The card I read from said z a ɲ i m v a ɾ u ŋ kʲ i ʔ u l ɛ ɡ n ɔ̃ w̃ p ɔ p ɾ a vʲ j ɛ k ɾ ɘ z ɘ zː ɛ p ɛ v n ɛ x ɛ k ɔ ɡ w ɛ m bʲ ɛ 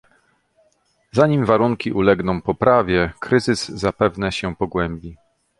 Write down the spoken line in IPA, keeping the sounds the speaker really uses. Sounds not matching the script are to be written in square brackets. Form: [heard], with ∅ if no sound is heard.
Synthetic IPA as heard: z a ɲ i m v a ɾ u ŋ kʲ i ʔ u l ɛ ɡ n ɔ̃ w̃ p ɔ p ɾ a vʲ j ɛ k ɾ ɘ z ɘ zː [a] p ɛ v n ɛ [ɕ] ɛ [p] ɔ ɡ w ɛ m bʲ [i]